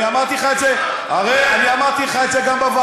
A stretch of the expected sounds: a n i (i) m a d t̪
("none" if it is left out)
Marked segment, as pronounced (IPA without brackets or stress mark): a